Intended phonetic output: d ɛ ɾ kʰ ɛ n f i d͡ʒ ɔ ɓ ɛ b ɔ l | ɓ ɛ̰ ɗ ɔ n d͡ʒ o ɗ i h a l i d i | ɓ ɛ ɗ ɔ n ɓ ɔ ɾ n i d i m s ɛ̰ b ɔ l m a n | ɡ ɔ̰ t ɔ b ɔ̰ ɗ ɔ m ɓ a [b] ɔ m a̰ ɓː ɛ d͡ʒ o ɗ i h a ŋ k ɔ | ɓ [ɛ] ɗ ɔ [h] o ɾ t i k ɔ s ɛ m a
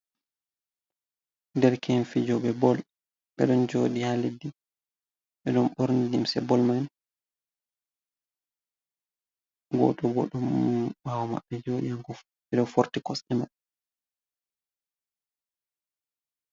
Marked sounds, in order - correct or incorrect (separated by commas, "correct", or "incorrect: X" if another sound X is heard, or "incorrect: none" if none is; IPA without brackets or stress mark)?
incorrect: w, correct, incorrect: f